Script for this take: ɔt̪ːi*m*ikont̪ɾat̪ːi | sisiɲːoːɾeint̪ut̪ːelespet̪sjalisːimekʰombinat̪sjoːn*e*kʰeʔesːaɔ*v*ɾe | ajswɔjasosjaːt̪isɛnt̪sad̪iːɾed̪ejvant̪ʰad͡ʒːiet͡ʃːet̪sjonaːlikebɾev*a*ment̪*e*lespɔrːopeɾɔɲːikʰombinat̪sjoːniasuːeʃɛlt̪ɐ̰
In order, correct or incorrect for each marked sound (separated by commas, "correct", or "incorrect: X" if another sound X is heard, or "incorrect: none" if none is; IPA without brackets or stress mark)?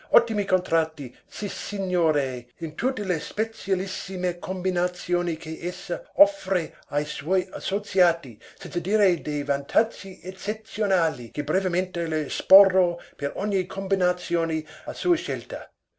correct, incorrect: i, incorrect: f, incorrect: e, correct